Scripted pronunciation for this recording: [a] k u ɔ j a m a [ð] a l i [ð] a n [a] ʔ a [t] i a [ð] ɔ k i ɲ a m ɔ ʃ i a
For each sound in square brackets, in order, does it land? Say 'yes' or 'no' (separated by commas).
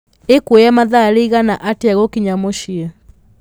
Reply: no, yes, no, yes, yes, no